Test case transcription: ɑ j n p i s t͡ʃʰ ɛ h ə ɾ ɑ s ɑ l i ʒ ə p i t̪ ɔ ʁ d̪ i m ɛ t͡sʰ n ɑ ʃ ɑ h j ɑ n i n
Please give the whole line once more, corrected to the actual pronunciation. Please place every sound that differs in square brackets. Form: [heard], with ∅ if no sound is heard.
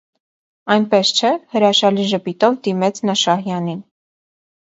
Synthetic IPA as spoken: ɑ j n p [ɛ] s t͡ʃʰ ɛ h ə ɾ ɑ [ʃ] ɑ l i ʒ ə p i t̪ ɔ [v] d̪ i m ɛ t͡sʰ n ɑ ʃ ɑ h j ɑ n i n

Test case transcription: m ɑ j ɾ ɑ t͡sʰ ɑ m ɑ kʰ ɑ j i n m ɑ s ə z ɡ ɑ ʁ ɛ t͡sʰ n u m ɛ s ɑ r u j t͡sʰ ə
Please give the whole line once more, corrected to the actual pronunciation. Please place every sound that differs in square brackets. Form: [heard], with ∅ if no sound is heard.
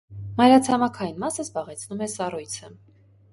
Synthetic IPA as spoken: m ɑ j ɾ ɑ t͡sʰ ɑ m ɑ kʰ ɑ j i n m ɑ s ə z [b] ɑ ʁ ɛ t͡sʰ n u m ɛ s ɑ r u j t͡sʰ ə

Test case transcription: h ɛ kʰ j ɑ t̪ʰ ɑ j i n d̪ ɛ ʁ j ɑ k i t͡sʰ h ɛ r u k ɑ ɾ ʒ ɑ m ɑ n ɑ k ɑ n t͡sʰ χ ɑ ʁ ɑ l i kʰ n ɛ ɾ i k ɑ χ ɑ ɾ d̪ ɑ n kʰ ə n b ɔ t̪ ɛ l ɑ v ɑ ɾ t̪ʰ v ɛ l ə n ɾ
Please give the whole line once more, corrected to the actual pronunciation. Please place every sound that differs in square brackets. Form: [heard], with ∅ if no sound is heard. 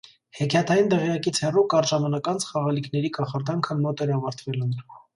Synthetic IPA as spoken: h ɛ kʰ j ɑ t̪ʰ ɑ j i n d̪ ɛ ʁ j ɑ k i t͡sʰ h ɛ r u k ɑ ɾ ʒ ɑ m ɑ n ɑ k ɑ n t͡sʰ χ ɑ ʁ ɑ l i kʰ n ɛ ɾ i k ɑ χ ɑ ɾ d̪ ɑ [ŋ] kʰ ə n [m] ɔ t̪ ɛ [ɾ] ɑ v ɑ ɾ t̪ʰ v ɛ l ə n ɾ

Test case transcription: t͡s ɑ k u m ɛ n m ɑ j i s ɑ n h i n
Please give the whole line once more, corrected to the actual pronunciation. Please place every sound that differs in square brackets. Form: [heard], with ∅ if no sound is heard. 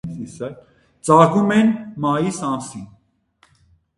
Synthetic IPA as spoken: t͡s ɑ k u m ɛ n m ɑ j i s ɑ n [s] i n

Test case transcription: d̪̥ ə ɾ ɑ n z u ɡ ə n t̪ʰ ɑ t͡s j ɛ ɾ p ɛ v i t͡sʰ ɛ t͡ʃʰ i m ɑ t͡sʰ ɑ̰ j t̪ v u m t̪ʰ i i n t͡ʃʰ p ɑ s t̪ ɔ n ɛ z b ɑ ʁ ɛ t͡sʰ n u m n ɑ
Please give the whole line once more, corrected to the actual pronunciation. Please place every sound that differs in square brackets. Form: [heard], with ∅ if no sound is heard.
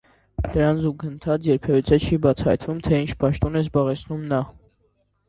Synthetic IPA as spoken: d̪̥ ə ɾ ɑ n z u ɡ ə n t̪ʰ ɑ t͡s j ɛ ɾ [pʰ] ɛ v i t͡sʰ ɛ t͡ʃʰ i [b] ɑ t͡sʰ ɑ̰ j t̪ v u m t̪ʰ [ɛ] i n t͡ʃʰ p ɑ [ʃ] t̪ ɔ n ɛ z b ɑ ʁ ɛ t͡sʰ n u m n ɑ

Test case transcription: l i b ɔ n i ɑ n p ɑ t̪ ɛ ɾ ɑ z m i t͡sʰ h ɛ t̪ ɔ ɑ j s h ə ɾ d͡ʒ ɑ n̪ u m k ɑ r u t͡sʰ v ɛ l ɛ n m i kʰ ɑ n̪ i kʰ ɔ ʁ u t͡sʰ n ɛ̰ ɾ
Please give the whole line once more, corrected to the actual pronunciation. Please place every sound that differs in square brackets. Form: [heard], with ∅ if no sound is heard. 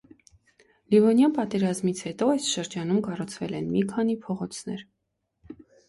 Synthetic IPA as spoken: l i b ɔ n [j] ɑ n p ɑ t̪ ɛ ɾ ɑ z m i t͡sʰ h ɛ t̪ ɔ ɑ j s [ʃ] ə ɾ d͡ʒ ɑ n̪ u m k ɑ r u t͡sʰ v ɛ l ɛ n m i kʰ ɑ n̪ i [pʰ] ɔ ʁ [ɔ] t͡sʰ n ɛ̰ ɾ

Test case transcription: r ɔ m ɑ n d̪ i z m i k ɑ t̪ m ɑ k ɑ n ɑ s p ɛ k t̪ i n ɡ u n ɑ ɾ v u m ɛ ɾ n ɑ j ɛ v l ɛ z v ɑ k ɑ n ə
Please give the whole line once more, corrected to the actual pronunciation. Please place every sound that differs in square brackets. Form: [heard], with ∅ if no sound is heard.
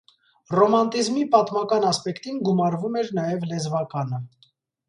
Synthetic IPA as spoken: r ɔ m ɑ n [t̪] i z m i [p] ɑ t̪ m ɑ k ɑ n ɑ s p ɛ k t̪ i n ɡ u [m] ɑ ɾ v u m ɛ ɾ n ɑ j ɛ v l ɛ z v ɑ k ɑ n ə

